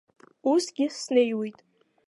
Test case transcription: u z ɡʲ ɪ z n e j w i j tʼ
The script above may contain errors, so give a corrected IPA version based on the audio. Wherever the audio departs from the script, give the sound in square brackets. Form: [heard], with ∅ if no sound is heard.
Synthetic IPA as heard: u [s] ɡʲ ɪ [s] n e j w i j tʼ